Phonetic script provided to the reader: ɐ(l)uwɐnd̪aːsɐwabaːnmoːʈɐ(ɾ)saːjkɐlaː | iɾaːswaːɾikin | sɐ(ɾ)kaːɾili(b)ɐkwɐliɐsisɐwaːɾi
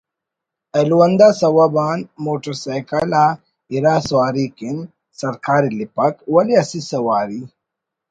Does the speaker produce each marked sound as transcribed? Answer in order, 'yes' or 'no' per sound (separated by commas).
yes, yes, yes, no